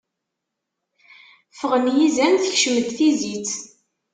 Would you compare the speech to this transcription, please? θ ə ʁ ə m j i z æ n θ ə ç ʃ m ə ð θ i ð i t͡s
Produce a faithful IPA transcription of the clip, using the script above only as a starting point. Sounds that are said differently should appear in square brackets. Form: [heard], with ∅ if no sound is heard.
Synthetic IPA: [f] ə ʁ ə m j i z æ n θ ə ç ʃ m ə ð θ i [z] i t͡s